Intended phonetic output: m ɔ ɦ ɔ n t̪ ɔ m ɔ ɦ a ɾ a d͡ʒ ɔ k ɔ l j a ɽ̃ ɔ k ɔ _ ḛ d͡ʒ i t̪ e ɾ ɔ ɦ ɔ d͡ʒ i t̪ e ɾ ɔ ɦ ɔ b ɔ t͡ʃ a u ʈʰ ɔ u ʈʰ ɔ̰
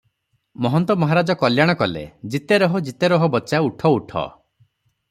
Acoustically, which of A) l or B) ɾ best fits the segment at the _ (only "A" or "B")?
A